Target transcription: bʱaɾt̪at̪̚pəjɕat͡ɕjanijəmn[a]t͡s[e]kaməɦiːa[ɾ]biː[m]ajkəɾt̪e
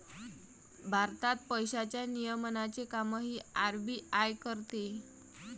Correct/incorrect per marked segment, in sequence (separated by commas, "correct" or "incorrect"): correct, correct, correct, incorrect